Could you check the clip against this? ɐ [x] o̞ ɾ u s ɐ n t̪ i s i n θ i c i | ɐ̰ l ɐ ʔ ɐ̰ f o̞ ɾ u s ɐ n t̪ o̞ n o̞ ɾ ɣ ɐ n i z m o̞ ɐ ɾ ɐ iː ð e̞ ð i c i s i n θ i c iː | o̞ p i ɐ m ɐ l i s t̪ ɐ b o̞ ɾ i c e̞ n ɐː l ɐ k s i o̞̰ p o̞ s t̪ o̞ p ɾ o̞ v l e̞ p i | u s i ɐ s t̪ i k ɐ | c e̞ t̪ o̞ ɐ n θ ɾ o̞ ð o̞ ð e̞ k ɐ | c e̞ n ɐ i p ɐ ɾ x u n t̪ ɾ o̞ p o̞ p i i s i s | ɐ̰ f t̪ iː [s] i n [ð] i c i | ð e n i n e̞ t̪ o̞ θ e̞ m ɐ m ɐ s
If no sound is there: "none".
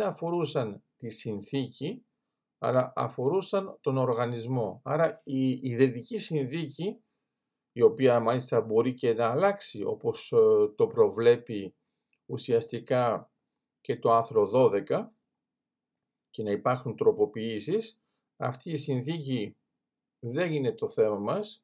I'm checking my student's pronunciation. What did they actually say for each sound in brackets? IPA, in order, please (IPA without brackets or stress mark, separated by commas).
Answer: f, s, θ